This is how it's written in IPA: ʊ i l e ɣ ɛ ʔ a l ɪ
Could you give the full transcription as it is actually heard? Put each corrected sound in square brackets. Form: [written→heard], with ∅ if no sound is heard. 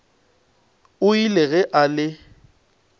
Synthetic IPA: ʊ i l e ɣ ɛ ʔ a l ɪ